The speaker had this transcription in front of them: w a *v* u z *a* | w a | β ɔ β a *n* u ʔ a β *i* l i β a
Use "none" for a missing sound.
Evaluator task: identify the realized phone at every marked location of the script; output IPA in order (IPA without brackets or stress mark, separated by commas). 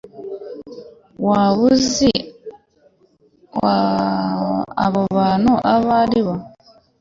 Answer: β, i, n, a